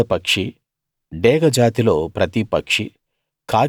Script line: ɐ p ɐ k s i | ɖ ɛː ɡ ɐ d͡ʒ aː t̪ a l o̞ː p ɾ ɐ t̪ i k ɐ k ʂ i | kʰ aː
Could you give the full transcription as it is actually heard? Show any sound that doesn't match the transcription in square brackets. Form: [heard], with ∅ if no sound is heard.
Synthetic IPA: ɐ p ɐ k [ʂ] i | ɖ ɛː ɡ ɐ d͡ʒ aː t̪ [i] l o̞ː p ɾ ɐ t̪ i [p] ɐ k ʂ i | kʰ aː

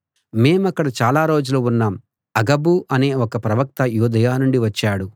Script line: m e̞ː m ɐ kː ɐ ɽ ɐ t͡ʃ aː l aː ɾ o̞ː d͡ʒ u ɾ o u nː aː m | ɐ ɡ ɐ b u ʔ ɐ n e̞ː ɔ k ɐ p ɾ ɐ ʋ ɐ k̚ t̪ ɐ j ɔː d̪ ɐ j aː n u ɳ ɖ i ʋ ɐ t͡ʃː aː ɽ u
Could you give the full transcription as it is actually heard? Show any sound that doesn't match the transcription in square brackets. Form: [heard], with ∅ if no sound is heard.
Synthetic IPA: m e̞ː m ɐ kː ɐ ɽ ɐ t͡ʃ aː l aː ɾ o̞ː d͡ʒ u [l] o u nː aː m | ɐ ɡ ɐ b u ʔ ɐ n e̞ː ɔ k ɐ p ɾ ɐ ʋ ɐ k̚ t̪ ɐ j [uː] d̪ ɐ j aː n u ɳ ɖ i ʋ ɐ t͡ʃː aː ɽ u

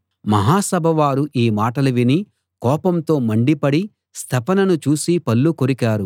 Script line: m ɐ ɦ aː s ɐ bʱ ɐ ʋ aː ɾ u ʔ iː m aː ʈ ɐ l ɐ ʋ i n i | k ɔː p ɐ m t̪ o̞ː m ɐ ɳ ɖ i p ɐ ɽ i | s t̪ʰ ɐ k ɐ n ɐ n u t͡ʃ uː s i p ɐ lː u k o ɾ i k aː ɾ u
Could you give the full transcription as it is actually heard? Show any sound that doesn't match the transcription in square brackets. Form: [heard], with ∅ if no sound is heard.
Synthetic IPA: m ɐ ɦ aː s ɐ bʱ ɐ ʋ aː ɾ u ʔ iː m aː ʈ ɐ l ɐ ʋ i n i | k ɔː p ɐ m t̪ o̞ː m ɐ ɳ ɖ i p ɐ ɽ i | s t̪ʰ ɐ [p] ɐ n ɐ n u t͡ʃ uː s i p ɐ lː u k o ɾ i k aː ɾ u

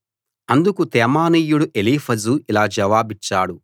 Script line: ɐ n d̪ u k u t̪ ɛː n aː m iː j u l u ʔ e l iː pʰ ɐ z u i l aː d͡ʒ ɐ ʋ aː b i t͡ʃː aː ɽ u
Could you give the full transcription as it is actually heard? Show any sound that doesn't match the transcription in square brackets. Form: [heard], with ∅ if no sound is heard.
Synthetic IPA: ɐ n d̪ u k u t̪ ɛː [m] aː [n] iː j u [ɽ] u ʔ e l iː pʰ ɐ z u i l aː d͡ʒ ɐ ʋ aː b i t͡ʃː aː ɽ u

